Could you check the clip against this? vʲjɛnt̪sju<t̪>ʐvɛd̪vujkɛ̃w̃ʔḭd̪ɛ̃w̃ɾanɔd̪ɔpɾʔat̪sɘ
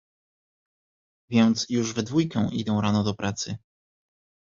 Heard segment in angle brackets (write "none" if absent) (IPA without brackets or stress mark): none